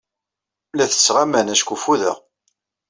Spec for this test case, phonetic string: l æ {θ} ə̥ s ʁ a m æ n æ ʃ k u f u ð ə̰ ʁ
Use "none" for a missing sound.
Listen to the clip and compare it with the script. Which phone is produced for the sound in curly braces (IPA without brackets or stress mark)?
θ